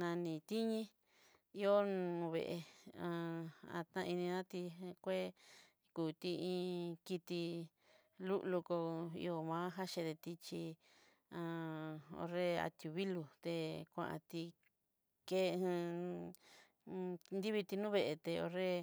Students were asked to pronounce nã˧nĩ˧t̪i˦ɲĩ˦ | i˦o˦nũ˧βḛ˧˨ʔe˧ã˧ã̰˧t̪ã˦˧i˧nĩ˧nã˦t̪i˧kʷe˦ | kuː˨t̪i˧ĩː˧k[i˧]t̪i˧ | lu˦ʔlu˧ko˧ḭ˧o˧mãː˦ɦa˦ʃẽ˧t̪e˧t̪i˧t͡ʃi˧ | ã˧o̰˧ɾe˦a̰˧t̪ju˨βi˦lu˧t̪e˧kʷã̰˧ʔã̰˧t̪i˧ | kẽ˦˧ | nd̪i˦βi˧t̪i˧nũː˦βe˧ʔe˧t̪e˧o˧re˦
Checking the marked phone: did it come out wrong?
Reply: no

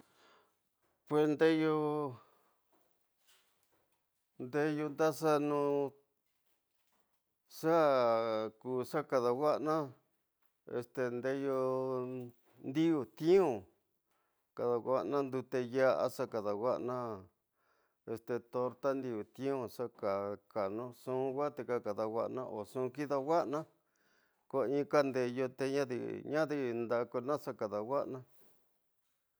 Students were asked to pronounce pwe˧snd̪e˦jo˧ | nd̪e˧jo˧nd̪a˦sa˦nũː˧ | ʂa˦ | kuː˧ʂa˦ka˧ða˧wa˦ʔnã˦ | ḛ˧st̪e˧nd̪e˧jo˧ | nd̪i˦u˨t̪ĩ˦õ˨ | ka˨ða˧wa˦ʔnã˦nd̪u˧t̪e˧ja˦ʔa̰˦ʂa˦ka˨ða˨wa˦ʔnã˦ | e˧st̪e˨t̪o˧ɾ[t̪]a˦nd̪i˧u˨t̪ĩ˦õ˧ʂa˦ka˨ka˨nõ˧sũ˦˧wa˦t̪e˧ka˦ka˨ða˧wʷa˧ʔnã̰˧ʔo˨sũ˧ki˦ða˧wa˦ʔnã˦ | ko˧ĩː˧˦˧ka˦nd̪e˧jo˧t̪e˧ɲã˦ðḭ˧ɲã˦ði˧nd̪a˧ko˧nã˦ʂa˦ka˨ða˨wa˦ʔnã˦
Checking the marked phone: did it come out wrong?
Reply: no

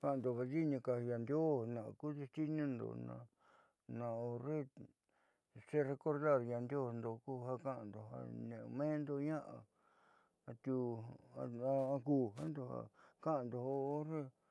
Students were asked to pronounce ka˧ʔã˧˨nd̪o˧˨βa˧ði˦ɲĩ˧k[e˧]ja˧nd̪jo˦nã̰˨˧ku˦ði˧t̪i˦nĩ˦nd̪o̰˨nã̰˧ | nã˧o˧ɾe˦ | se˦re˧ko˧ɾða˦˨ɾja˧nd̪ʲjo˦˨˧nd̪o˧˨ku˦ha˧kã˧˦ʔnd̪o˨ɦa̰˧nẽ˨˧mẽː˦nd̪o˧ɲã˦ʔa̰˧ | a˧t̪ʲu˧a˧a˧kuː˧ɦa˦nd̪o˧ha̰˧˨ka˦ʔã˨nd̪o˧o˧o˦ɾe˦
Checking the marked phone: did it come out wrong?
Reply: yes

